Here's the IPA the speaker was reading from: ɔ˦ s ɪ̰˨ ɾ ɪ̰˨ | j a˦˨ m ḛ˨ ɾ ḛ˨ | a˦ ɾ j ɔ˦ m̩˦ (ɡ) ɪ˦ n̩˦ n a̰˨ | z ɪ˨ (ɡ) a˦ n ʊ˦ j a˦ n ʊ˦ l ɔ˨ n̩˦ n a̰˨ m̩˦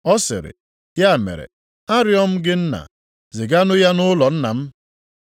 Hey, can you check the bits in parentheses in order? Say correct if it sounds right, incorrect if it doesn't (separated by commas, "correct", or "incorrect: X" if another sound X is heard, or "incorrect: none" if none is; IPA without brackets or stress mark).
correct, correct